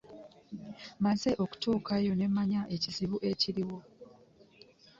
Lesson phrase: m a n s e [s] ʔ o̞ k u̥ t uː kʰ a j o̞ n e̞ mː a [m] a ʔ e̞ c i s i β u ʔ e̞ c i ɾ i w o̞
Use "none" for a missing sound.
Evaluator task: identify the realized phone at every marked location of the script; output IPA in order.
none, ɲ

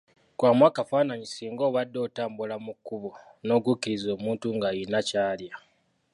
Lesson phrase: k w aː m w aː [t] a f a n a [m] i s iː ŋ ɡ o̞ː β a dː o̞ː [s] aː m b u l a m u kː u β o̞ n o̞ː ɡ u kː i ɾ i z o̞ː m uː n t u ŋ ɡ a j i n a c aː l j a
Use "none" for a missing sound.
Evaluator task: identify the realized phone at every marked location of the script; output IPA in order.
k, ɲ, t

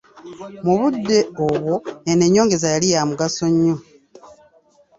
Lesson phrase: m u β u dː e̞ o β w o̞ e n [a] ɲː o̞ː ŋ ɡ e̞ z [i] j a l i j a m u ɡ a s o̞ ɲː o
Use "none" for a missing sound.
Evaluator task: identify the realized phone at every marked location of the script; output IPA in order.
e, a

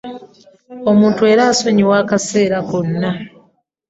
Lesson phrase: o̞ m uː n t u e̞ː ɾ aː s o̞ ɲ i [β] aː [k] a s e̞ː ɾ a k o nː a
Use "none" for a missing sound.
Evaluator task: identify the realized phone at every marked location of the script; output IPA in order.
w, k

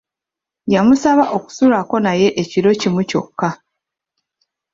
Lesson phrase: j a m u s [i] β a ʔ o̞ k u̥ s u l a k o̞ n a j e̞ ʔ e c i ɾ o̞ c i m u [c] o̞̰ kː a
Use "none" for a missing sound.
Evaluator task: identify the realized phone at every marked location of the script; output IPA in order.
a, c

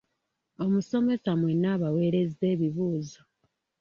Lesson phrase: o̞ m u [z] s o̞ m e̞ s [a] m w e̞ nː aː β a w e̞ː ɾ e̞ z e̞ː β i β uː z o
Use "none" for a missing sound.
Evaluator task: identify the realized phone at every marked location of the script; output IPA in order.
none, a

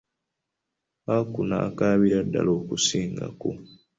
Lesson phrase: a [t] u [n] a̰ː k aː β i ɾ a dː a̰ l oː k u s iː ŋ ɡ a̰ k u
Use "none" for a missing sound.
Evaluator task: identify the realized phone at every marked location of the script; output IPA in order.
k, n

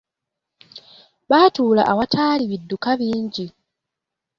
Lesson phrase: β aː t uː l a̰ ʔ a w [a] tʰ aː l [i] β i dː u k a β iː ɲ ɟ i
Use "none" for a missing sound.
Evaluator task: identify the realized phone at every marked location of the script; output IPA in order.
a, i

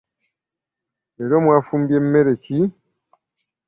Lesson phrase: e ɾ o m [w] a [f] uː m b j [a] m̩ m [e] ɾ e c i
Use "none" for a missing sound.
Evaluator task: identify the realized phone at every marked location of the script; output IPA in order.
w, f, e, e

